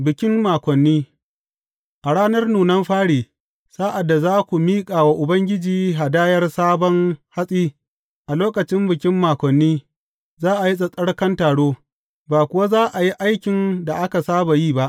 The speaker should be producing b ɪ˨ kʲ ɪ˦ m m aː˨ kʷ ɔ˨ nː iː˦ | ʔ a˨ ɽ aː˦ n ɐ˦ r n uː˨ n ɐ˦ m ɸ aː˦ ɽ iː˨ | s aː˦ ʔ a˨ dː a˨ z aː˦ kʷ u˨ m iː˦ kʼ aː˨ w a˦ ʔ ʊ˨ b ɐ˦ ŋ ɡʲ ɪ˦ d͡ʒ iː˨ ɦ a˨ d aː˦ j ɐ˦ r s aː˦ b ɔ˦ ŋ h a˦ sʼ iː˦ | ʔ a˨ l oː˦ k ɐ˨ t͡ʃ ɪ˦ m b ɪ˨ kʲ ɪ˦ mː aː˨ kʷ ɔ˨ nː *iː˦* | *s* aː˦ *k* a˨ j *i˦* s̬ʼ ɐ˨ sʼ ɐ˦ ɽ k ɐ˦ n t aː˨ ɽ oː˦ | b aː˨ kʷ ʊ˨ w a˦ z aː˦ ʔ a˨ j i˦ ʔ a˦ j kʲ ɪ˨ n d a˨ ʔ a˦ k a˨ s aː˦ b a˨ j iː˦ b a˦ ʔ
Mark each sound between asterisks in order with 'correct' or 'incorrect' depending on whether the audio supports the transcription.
correct, incorrect: z, incorrect: ʔ, correct

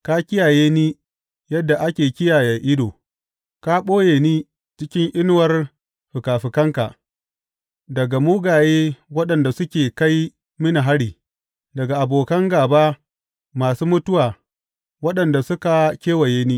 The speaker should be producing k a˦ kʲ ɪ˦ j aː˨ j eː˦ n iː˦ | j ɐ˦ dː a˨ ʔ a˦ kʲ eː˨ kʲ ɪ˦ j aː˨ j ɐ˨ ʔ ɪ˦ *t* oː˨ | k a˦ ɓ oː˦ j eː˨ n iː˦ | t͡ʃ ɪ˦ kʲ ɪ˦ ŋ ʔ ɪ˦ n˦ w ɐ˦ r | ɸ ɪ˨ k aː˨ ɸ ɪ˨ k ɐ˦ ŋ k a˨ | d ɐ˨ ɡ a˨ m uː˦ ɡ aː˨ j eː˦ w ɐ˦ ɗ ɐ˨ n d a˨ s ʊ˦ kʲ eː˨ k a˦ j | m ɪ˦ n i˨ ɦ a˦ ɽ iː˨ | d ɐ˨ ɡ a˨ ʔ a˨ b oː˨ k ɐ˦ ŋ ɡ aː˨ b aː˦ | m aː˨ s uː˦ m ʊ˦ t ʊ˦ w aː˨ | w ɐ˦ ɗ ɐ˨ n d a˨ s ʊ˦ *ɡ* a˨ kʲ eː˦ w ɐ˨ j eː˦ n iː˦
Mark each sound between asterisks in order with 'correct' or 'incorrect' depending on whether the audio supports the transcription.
incorrect: d, incorrect: k

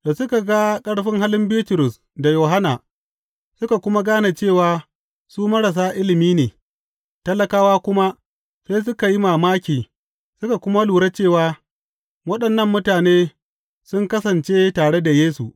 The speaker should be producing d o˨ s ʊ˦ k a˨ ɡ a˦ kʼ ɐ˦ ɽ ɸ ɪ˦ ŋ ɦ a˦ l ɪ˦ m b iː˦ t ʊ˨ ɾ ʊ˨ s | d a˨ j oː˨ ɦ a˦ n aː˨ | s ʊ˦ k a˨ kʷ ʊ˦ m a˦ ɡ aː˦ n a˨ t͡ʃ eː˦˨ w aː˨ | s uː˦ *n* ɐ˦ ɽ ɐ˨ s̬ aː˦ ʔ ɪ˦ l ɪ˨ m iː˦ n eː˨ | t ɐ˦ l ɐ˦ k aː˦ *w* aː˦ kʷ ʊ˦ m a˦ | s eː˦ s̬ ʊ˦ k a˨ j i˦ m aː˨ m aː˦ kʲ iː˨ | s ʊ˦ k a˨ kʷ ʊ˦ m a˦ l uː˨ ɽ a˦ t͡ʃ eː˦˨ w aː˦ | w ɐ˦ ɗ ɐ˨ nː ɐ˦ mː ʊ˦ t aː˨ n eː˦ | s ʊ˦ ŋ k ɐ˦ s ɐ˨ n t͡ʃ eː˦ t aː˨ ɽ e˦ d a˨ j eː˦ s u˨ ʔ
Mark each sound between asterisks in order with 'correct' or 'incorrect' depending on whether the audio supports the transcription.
incorrect: m, correct

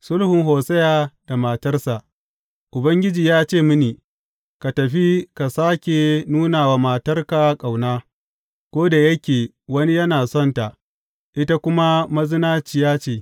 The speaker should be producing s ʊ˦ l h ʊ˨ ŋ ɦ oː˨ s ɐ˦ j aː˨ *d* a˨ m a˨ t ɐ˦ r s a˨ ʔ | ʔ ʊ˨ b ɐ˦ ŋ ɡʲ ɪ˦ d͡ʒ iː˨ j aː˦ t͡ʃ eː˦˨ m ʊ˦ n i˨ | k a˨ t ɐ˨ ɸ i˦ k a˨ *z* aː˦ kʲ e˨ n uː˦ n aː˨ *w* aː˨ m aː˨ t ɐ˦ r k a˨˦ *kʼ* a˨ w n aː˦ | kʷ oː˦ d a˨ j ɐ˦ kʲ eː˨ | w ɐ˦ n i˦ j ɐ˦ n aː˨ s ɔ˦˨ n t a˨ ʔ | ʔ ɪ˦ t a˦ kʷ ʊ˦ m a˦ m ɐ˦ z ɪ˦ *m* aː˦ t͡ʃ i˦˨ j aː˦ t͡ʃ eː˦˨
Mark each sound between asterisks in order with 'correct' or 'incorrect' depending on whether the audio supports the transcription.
correct, incorrect: s, correct, correct, incorrect: n

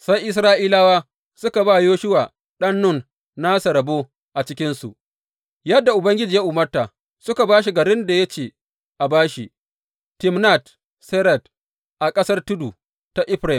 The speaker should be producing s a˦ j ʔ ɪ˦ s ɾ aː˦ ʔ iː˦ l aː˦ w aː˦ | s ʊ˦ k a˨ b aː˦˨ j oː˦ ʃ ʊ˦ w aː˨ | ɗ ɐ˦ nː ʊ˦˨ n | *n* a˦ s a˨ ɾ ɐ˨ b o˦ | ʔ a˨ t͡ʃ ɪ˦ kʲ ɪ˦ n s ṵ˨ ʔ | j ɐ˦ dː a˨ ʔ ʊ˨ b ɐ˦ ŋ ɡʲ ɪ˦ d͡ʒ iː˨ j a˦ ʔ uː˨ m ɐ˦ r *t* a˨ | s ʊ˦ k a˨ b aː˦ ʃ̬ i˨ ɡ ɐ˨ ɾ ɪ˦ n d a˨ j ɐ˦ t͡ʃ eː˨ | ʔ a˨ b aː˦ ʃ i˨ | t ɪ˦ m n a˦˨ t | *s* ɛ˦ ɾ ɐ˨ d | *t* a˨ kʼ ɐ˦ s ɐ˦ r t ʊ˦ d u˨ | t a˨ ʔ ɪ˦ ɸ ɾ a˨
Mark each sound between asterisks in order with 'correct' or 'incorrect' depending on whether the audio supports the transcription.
correct, correct, correct, incorrect: ʔ

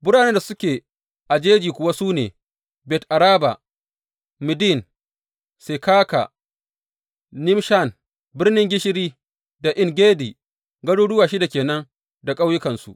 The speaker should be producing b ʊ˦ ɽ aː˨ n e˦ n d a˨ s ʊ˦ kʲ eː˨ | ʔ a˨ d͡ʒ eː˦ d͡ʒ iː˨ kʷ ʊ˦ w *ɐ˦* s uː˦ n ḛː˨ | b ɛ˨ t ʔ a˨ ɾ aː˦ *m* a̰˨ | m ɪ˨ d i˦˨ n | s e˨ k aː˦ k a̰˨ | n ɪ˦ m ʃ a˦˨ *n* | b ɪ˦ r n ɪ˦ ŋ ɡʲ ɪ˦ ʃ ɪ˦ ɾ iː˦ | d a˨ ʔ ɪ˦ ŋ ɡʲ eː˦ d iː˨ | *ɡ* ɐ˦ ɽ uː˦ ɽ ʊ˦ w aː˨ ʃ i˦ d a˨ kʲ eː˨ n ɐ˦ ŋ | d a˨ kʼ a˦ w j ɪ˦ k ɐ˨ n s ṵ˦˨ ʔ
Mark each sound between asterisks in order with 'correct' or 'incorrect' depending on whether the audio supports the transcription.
incorrect: a˦, incorrect: b, correct, correct

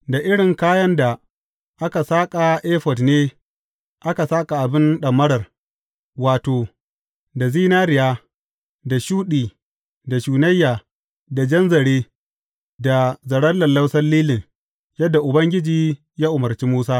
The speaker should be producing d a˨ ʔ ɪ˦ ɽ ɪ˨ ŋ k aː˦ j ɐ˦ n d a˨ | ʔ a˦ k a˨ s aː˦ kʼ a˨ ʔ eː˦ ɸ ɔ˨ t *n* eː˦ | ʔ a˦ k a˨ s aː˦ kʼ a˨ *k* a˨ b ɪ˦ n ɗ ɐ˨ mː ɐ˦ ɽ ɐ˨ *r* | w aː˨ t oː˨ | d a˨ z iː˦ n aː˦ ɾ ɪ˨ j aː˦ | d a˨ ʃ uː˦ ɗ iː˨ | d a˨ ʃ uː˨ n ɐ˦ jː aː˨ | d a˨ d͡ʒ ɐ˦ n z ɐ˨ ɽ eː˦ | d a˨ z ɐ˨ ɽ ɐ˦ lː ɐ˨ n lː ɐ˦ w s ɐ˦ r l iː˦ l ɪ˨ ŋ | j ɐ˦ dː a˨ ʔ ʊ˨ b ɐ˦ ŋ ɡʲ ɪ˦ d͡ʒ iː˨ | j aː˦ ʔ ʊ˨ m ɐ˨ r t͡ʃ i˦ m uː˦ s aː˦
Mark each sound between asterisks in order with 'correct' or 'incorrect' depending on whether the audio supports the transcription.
correct, incorrect: ʔ, correct

